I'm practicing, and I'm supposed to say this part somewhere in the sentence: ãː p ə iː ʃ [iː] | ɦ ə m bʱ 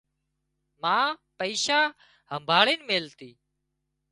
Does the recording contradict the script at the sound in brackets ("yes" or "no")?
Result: yes